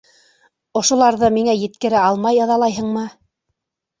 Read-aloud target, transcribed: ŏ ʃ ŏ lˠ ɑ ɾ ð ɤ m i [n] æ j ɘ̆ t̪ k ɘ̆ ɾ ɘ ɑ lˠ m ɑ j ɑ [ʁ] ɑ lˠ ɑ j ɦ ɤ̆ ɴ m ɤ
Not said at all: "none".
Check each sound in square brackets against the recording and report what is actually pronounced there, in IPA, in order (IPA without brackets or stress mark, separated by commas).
ŋ, ð